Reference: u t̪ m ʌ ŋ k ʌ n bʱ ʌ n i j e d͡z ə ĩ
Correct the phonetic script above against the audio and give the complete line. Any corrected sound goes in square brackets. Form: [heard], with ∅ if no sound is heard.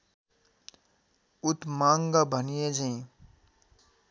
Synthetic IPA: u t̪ m [a] ŋ [ɡ] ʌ [∅] bʱ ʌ n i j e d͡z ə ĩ